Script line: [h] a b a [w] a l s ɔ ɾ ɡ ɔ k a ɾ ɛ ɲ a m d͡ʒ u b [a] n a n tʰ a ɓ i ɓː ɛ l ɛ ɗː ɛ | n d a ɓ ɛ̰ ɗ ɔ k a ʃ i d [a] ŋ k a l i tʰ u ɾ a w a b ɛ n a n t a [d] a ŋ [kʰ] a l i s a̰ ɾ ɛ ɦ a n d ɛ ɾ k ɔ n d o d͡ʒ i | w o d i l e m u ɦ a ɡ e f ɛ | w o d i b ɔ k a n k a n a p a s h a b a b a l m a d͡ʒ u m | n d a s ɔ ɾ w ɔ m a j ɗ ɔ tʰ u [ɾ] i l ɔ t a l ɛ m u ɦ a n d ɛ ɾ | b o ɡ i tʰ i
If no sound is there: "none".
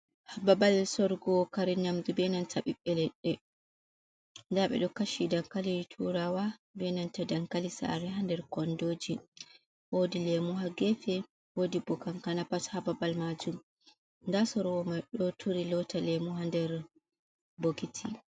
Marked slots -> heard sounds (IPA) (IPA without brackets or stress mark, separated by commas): h, b, ɛ, a, d, k, ɾ